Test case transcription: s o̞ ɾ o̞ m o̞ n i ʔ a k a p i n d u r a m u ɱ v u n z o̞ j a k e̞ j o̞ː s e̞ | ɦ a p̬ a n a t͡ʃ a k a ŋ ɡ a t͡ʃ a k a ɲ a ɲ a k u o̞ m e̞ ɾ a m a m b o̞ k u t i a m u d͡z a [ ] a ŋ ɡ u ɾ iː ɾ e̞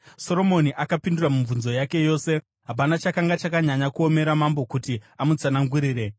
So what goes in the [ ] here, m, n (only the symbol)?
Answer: n